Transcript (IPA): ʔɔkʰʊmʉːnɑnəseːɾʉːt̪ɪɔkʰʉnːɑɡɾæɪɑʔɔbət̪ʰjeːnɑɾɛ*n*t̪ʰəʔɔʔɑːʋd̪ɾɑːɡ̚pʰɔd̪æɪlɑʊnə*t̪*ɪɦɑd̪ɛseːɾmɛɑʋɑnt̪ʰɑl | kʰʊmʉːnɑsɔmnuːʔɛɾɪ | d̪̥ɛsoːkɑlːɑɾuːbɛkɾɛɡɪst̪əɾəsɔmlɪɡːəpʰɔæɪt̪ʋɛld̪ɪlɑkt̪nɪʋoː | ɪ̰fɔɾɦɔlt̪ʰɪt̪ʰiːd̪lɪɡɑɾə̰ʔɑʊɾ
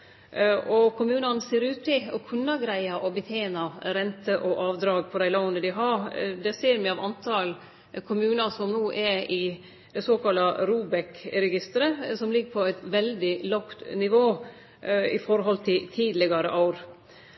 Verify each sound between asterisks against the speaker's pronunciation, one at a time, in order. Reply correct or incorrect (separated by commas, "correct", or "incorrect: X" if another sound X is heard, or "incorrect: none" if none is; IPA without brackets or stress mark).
correct, incorrect: d̪